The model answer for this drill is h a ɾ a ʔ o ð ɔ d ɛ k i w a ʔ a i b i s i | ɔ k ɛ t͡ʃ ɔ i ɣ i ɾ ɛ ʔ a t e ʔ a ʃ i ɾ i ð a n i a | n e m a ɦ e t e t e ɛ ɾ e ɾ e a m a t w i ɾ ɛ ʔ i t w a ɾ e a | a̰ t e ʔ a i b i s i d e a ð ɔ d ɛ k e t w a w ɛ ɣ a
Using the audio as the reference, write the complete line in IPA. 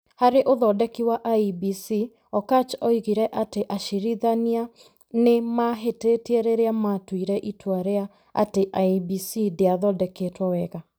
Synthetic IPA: h a ɾ e ʔ o ð ɔ d ɛ k i w a ʔ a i b i s i | ɔ k a t͡ʃ ɔ i ɣ i ɾ ɛ ʔ a t e ʔ a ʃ i ɾ i ð a n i a | n e m a ɦ e t e t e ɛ ɾ e ɾ e a m a t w i ɾ ɛ ʔ i t w a ɾ e a | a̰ t e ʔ a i b i s i d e a ð ɔ d ɛ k e t w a w ɛ ɣ a

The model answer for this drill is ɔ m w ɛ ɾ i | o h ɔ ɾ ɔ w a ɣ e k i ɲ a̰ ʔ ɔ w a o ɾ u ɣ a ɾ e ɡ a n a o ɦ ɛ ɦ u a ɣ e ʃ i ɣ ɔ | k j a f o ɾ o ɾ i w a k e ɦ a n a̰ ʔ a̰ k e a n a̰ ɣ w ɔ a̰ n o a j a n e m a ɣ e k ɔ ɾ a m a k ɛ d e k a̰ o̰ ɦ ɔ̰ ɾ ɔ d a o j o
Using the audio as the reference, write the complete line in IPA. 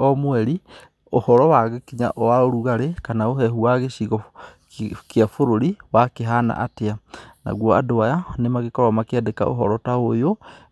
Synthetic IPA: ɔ m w ɛ ɾ i | o h ɔ ɾ ɔ w a ɣ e k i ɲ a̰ ʔ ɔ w a o ɾ u ɣ a ɾ e k a n a o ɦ ɛ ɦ u a ɣ e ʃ i ɣ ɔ | k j a f o ɾ o ɾ i w a k e ɦ a n a̰ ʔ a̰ t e a n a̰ ɣ w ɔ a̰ d o a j a n e m a ɣ e k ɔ ɾ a m a k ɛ d e k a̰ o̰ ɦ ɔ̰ ɾ ɔ t a o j o

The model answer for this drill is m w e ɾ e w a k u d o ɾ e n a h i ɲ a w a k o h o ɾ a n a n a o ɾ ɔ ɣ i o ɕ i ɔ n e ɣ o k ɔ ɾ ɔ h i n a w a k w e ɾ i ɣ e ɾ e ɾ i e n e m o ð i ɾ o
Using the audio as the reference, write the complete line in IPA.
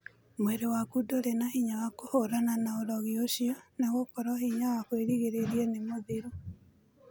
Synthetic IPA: m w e ɾ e w a k u d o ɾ e n a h i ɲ a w a k o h o ɾ a n a n a o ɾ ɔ ɣ i o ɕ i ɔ n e ɣ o k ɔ ɾ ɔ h i ɲ a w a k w e ɾ i ɣ e ɾ e ɾ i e n e m o ð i ɾ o

